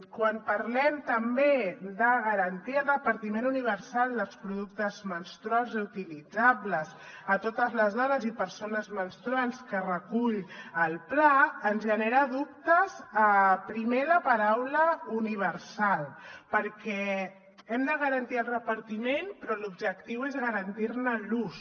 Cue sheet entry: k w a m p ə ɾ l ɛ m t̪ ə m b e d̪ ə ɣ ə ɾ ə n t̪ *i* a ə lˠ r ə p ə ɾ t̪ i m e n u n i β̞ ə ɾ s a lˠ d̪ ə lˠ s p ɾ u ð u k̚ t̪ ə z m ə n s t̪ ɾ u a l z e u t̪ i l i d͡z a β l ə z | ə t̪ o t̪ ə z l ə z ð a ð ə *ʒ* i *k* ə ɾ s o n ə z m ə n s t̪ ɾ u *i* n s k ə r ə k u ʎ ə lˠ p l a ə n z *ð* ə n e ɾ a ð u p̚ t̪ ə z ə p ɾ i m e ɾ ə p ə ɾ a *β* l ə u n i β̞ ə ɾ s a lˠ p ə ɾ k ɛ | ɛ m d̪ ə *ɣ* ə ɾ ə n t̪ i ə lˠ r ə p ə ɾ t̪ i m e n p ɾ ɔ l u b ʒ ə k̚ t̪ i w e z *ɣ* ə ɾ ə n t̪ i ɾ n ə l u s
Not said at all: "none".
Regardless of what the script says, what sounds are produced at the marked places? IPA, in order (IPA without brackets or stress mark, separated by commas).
i, z, p, a, ʒ, w, ɣ, ɣ